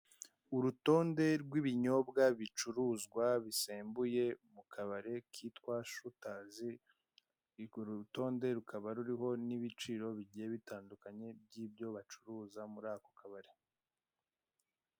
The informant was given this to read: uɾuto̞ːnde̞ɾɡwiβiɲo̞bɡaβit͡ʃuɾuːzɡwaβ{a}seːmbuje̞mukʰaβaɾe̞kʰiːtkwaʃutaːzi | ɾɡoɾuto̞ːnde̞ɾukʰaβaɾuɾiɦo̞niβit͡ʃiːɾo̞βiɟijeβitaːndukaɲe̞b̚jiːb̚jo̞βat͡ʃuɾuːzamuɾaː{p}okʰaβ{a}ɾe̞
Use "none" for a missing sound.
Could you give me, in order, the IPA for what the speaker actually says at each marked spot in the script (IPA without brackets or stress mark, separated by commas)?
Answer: i, k, a